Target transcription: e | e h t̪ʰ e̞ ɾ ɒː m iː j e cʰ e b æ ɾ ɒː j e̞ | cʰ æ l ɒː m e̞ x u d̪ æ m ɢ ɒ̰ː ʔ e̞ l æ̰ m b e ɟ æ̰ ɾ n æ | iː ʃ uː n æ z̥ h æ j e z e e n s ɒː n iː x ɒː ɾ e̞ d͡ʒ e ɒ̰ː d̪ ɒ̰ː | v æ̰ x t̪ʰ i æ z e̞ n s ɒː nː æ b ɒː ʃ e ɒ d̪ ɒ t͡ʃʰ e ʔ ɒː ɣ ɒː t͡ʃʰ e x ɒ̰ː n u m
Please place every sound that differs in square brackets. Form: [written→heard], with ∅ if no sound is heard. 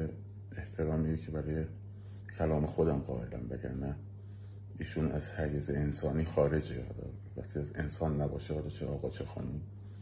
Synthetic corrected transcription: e | e h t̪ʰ e̞ ɾ ɒː m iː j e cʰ e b æ ɾ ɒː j e̞ | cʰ æ l ɒː m e̞ x [u→o] d̪ æ m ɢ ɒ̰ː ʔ e̞ l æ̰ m b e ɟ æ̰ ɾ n æ | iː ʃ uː n æ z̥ h æ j e z e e n s ɒː n iː x ɒː ɾ e̞ d͡ʒ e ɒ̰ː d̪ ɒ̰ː | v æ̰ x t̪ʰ i æ z e̞ n s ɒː nː æ b ɒː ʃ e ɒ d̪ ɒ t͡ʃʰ e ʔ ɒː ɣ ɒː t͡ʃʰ e x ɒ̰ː n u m